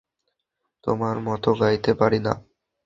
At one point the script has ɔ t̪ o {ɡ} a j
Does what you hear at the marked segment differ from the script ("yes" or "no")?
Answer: no